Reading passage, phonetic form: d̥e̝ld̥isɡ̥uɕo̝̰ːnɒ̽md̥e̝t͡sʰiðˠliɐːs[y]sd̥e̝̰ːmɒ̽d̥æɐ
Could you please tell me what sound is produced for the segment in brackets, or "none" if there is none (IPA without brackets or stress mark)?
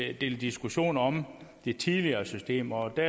y